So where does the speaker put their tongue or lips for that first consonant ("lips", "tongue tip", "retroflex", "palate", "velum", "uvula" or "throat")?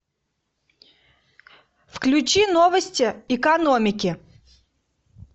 lips